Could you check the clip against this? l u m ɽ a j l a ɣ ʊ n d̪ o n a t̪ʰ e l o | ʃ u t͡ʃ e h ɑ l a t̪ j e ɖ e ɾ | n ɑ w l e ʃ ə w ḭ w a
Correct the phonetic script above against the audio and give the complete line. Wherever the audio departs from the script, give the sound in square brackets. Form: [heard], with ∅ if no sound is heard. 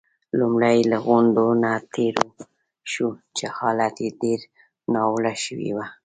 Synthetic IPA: l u m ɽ a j l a ɣ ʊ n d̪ o n a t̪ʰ e [ɾ] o | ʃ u t͡ʃ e h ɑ l a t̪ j e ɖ e ɾ | n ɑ w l [a] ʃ ə w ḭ w a